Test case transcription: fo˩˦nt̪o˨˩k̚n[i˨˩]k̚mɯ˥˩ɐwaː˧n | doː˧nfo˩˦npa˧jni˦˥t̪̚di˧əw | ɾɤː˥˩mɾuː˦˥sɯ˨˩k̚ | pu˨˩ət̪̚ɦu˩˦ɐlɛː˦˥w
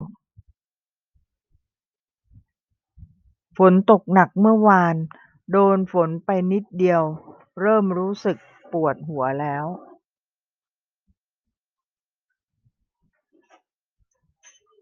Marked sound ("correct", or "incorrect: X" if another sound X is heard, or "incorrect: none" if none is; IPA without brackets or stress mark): incorrect: a˨˩